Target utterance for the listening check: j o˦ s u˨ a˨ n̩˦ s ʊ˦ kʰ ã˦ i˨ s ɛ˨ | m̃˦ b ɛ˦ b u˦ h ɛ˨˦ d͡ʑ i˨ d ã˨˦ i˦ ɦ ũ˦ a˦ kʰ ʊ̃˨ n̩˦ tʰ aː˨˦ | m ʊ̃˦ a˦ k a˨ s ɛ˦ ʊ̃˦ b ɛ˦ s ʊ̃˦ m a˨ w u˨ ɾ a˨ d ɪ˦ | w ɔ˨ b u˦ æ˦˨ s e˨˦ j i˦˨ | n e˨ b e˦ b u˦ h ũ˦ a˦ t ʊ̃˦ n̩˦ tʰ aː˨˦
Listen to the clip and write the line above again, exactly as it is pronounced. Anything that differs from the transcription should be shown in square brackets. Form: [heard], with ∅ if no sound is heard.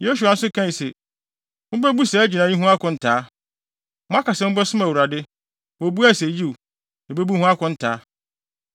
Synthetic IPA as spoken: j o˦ s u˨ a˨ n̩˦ s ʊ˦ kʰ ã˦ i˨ s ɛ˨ | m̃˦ b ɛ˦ b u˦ [s] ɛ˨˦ d͡ʑ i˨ [n] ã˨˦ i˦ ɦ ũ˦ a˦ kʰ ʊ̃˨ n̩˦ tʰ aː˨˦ | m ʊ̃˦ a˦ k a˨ s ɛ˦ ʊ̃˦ b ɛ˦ s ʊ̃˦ m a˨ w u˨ ɾ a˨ d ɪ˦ | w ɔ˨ b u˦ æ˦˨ s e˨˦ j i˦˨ | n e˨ b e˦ b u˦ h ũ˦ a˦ [k] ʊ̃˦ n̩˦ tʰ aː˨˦